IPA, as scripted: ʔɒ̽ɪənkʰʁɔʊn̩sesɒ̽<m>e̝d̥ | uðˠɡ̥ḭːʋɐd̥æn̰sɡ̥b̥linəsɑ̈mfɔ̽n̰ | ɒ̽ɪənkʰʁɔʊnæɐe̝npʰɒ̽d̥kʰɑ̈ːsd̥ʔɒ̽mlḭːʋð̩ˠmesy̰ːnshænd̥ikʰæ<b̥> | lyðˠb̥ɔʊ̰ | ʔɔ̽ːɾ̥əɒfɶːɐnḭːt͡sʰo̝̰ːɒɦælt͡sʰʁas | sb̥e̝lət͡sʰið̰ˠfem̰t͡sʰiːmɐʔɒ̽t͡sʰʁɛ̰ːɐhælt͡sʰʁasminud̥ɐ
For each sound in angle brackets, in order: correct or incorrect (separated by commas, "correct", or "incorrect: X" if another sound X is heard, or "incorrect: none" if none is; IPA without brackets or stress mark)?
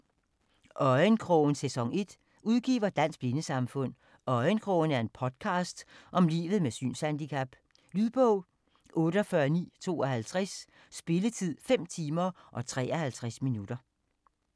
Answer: incorrect: ŋ, correct